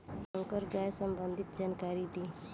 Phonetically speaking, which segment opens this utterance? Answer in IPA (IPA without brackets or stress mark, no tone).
s